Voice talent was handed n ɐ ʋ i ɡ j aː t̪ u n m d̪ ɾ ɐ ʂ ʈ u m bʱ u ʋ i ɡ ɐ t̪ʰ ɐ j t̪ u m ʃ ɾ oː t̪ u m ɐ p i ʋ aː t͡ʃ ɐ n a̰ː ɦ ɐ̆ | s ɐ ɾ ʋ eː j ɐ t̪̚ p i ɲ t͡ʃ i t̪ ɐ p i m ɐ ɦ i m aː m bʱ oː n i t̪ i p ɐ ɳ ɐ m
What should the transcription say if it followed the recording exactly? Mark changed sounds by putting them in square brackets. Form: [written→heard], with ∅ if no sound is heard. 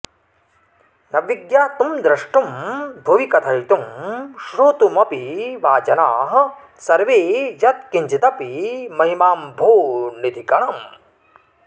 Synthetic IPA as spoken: n ɐ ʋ i ɡ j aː t̪ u [n→∅] m d̪ ɾ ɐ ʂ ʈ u m bʱ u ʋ i [ɡ→k] ɐ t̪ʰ ɐ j t̪ u m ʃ ɾ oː t̪ u m ɐ p i ʋ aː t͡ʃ ɐ n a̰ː ɦ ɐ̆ | s ɐ ɾ ʋ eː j ɐ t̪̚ [p→k] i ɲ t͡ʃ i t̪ ɐ p i m ɐ ɦ i m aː m bʱ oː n i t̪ i [p→k] ɐ ɳ ɐ m